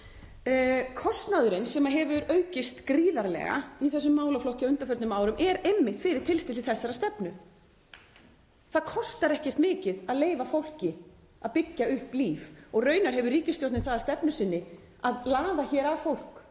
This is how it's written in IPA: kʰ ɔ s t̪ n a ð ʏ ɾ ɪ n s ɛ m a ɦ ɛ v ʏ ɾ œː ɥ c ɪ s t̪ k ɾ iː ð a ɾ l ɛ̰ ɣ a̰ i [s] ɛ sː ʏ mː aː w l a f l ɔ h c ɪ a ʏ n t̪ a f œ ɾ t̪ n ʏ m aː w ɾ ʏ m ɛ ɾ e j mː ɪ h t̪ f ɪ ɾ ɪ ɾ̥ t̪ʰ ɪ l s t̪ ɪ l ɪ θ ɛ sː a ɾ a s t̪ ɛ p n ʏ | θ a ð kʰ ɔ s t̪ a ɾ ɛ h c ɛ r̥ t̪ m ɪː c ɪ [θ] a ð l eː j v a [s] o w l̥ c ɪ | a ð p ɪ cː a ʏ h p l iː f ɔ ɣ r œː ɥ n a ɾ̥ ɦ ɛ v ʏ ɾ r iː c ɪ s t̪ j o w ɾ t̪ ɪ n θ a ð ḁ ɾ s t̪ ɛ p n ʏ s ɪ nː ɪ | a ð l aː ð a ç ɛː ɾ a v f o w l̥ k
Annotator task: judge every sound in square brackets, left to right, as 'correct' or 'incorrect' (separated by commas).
incorrect, incorrect, incorrect